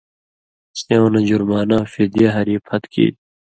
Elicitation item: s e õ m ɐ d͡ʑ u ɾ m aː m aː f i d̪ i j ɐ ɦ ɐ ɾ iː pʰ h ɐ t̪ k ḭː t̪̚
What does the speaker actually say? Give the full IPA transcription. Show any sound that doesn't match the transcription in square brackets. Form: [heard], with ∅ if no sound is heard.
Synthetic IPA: s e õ [n] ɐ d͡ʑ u ɾ m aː [n] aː f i d̪ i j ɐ ɦ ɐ ɾ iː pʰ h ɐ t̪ k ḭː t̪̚